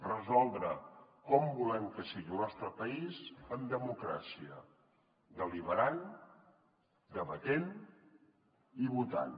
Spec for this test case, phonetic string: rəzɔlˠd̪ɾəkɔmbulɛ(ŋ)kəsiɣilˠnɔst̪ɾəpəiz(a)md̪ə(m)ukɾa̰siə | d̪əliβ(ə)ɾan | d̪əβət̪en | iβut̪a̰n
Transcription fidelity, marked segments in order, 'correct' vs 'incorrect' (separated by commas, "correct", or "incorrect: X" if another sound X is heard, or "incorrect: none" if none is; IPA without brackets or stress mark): incorrect: m, incorrect: ə, correct, correct